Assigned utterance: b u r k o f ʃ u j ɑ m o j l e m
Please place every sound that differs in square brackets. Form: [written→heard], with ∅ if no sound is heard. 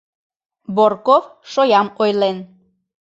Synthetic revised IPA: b [u→o] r k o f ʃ [u→o] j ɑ m o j l e [m→n]